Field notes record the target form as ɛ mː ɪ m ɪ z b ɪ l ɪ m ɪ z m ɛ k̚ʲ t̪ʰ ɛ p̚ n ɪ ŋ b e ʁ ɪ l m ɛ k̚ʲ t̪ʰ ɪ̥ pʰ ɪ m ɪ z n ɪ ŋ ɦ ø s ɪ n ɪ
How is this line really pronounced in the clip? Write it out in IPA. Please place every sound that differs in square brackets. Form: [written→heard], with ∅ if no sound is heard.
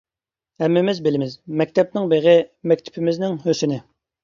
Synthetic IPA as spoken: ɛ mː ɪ m ɪ z b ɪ l ɪ m ɪ z m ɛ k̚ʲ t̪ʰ ɛ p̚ n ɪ ŋ b e ʁ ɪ [l→∅] m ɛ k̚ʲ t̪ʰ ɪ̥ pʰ ɪ m ɪ z n ɪ ŋ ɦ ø s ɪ n ɪ